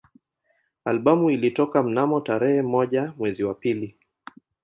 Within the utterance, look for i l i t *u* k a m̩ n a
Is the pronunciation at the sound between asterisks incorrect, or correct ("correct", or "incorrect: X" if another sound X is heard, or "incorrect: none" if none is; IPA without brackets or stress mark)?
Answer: incorrect: ɔ